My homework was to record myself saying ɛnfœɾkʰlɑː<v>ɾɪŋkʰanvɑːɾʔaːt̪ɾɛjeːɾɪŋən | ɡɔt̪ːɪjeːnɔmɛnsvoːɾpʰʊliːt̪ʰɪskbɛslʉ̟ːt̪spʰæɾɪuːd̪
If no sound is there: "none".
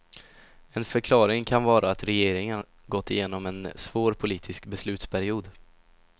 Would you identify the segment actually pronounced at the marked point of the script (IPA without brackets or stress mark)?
none